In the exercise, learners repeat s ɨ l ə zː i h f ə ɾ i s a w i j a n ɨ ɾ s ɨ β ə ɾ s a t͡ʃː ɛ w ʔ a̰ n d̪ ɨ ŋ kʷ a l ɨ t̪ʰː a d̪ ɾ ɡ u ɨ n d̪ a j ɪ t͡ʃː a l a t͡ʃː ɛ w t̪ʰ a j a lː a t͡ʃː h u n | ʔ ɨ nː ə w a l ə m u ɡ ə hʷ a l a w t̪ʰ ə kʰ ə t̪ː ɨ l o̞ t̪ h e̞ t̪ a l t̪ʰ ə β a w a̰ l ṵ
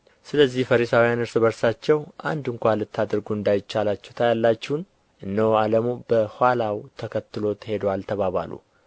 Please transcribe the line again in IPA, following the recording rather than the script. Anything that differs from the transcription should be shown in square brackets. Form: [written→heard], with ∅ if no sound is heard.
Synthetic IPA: s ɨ l ə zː i h f ə ɾ i s a w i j a n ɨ ɾ s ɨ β ə ɾ s a t͡ʃː ɛ w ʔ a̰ n d̪ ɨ ŋ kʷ a l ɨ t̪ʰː a d̪ ɾ ɡ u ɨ n d̪ a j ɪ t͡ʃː a l a t͡ʃː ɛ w t̪ʰ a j a lː a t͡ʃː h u n | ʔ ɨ nː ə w a l ə m u [ɡ→b] ə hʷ a l a w t̪ʰ ə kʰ ə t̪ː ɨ l o̞ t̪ h e̞ [t̪→d̪] a l t̪ʰ ə β a [w→β] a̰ l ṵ